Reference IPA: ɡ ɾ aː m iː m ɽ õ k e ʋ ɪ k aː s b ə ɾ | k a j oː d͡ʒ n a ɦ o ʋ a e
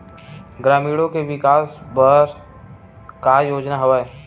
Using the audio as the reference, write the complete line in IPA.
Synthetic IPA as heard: ɡ ɾ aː m iː ɽ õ k e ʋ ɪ k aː s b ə ɾ | k a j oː d͡ʒ n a ɦ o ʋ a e